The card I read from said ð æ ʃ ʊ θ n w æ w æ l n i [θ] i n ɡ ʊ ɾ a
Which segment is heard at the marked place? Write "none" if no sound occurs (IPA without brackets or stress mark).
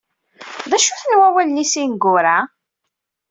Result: s